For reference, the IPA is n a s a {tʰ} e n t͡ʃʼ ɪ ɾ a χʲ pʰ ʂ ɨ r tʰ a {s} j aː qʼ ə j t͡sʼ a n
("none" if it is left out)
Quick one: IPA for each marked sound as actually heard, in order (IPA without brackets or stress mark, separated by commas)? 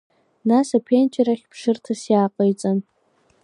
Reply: pʰ, s